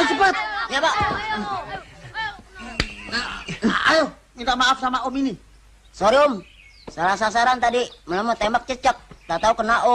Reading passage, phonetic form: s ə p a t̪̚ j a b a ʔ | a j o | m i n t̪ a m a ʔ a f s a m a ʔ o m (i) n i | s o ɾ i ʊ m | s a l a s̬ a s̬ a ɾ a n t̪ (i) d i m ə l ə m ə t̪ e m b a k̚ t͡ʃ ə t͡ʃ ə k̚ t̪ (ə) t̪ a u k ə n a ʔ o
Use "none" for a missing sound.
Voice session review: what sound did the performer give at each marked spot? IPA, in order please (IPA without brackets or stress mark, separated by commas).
i, a, a